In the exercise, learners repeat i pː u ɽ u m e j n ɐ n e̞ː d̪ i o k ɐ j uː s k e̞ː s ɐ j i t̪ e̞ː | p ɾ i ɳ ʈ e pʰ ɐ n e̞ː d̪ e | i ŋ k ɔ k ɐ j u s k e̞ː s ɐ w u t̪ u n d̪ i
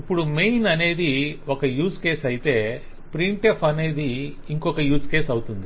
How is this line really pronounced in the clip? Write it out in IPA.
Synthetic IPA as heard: i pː u ɽ u m e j n ɐ n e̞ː d̪ i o k ɐ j uː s k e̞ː s ɐ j i t̪ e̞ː | p ɾ i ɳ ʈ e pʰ ɐ n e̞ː d̪ i | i ŋ k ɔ k ɐ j uː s k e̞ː s ɐ w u t̪ u n d̪ i